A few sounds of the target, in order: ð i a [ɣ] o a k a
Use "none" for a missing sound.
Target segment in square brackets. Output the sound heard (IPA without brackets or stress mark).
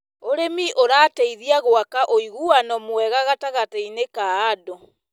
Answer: ɣ